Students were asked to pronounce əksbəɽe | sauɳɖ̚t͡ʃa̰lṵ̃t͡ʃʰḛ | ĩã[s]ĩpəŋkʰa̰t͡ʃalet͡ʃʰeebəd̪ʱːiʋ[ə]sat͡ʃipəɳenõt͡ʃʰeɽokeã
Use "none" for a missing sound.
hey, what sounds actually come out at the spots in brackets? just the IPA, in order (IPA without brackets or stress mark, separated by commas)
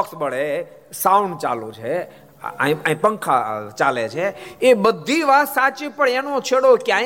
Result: none, a